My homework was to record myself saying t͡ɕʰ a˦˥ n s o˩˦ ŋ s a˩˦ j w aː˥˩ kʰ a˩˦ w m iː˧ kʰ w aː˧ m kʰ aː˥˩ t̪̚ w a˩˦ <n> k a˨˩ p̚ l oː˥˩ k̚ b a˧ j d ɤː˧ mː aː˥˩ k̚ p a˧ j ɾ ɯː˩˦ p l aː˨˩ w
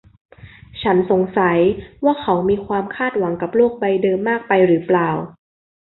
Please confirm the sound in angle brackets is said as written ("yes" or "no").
no